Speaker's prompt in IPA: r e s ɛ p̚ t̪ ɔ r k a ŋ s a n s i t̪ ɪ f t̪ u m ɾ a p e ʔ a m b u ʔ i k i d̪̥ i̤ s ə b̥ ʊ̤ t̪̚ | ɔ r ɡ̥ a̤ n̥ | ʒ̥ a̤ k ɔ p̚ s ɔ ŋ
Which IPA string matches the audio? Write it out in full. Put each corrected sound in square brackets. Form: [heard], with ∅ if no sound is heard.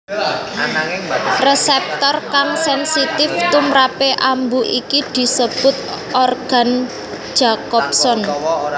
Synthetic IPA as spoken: r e s ɛ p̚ t̪ ɔ r k a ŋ s [ɛ] n s i t̪ ɪ f t̪ u m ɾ a p e ʔ a m b u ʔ i k i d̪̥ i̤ s ə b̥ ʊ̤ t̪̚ | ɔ r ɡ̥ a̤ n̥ | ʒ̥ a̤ k ɔ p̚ s ɔ [n]